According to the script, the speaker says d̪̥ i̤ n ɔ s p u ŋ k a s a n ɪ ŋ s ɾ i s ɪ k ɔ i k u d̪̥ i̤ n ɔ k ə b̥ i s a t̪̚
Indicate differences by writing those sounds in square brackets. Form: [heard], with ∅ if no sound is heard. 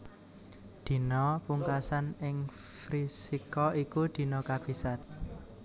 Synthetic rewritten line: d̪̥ i̤ n ɔ [∅] p u ŋ k a s a n ɪ ŋ [f] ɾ i s [i] k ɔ i k u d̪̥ i̤ n ɔ k [a] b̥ i s a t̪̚